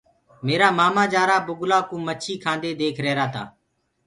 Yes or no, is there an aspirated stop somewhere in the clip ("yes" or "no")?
yes